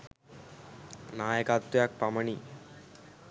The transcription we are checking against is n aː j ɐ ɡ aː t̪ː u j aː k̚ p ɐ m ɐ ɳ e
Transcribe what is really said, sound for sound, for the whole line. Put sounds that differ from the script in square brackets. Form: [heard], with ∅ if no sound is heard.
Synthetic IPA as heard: n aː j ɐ [k] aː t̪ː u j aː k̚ p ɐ m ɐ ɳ [i]